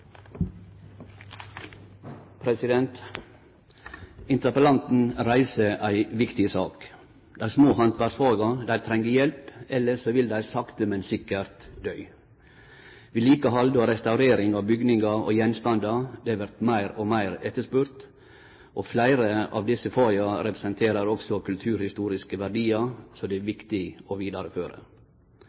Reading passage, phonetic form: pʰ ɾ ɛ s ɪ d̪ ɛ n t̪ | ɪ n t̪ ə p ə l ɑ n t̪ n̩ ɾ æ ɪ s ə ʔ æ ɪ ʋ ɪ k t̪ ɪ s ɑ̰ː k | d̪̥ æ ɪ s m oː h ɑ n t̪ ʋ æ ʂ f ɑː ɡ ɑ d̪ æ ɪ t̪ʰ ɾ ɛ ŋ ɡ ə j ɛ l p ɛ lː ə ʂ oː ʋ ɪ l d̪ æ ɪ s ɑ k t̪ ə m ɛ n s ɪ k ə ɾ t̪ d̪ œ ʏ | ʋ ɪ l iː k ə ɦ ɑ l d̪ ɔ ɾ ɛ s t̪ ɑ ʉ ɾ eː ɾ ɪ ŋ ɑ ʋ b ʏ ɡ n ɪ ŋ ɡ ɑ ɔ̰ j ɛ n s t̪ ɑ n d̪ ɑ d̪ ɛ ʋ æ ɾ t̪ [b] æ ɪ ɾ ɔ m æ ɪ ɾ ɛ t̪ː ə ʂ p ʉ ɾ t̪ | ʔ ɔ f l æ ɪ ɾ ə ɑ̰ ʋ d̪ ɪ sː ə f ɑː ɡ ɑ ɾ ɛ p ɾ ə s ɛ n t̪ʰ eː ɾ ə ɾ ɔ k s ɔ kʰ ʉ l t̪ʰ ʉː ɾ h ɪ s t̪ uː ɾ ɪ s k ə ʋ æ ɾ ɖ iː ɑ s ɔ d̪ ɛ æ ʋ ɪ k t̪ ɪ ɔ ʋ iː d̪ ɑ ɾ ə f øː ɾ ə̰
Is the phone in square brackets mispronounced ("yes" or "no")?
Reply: yes